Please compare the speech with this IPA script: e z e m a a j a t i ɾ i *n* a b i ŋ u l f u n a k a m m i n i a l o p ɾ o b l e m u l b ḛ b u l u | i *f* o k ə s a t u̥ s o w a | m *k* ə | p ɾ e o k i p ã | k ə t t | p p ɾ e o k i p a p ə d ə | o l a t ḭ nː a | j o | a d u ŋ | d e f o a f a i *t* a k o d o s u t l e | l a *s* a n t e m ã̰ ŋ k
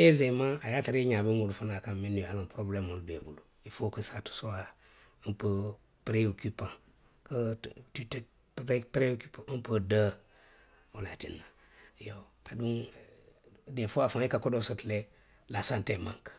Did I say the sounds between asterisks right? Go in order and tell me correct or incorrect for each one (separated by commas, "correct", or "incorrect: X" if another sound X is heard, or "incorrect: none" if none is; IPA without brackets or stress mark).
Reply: incorrect: ɲ, correct, incorrect: p, incorrect: k, correct